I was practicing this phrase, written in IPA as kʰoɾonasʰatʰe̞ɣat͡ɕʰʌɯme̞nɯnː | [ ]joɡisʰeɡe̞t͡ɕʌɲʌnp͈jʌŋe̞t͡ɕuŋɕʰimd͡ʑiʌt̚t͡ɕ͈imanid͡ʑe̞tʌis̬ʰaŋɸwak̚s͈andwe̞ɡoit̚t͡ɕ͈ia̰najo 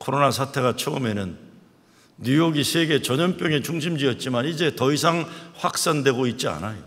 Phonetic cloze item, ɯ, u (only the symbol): u